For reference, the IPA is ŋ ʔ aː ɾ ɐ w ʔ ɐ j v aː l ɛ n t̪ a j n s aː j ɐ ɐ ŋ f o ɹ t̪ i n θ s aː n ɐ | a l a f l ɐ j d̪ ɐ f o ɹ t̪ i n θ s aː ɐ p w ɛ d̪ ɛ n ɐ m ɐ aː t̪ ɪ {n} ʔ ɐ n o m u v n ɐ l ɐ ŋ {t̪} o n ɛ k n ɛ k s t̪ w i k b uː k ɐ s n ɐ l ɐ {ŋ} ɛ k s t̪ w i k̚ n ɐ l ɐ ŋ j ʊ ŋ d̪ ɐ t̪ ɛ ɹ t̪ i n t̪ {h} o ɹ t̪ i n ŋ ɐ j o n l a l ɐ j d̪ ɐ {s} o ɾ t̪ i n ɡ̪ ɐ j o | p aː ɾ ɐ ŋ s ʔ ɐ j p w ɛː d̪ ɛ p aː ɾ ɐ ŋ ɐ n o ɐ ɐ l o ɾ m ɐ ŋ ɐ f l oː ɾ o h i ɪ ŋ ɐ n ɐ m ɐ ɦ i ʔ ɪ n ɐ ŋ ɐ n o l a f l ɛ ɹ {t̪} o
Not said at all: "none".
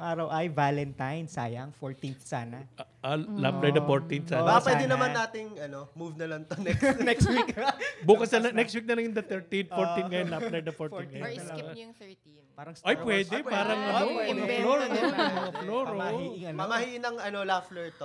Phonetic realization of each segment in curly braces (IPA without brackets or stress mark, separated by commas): ŋ, t̪, n, f, f, t̪